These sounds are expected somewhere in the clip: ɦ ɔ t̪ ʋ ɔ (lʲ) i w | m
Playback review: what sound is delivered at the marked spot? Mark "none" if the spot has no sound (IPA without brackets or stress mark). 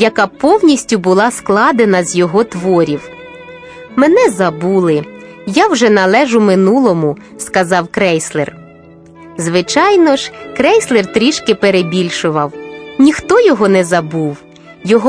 ɾʲ